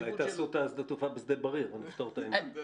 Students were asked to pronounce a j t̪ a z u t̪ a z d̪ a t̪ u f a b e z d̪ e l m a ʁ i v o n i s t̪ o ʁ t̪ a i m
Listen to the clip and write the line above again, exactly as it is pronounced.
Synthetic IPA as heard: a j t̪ a s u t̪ a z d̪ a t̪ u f a b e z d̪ e l b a ʁ i ʁ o n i f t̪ o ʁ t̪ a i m